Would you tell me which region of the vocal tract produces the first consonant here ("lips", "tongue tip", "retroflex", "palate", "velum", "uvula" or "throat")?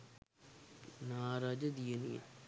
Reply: tongue tip